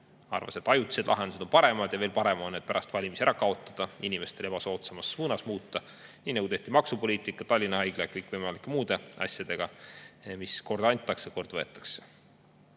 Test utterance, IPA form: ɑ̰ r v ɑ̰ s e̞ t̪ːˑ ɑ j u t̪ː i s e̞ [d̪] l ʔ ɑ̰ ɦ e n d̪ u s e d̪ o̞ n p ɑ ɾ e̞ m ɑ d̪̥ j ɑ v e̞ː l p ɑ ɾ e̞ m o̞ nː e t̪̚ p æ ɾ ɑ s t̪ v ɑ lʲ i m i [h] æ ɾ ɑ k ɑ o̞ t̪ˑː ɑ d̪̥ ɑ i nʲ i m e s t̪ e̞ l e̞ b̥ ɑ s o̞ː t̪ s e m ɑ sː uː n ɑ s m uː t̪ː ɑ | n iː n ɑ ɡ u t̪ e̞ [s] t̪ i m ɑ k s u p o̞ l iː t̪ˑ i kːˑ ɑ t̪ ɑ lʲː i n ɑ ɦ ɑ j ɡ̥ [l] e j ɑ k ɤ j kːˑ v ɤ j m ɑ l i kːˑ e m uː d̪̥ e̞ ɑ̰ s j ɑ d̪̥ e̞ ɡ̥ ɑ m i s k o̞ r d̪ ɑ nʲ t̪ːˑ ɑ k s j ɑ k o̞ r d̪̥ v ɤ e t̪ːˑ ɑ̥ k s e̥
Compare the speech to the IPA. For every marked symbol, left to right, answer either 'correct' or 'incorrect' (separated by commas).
correct, incorrect, incorrect, correct